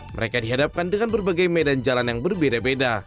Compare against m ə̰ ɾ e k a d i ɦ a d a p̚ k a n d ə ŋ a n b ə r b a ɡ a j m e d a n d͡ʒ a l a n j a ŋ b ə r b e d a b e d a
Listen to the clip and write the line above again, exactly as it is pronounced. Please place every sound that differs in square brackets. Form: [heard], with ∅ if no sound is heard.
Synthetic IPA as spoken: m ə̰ ɾ e k a d i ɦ a d a p̚ k a n d ə ŋ a n b ə r b a ɡ a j m e d a n d͡ʒ a l a n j a ŋ b ə r b e d a b e d a